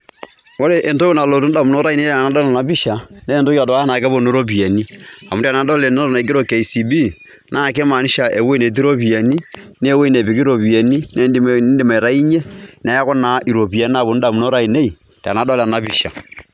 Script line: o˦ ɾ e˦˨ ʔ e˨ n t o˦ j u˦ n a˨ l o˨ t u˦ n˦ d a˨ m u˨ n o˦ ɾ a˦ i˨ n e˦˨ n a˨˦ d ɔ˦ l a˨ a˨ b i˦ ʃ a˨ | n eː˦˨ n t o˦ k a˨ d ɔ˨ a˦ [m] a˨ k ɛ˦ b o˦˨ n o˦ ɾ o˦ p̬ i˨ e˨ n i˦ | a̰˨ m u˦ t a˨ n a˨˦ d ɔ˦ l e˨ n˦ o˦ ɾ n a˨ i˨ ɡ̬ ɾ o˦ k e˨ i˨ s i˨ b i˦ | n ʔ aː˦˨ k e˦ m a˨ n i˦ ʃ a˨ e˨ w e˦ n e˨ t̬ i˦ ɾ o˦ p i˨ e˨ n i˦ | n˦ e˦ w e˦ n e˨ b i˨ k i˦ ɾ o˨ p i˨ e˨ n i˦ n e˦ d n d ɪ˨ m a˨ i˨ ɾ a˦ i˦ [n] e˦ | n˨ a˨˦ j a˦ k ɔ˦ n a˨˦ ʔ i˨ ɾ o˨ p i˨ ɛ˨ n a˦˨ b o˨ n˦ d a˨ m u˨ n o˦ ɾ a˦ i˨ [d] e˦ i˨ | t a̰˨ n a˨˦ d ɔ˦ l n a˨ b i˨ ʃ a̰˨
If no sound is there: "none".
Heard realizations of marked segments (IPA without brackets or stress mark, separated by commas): n, ɲ, n